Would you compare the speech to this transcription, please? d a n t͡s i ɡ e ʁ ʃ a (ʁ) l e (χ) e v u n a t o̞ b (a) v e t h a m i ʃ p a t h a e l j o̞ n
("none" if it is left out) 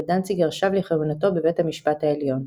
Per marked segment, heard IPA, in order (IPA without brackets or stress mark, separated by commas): v, χ, e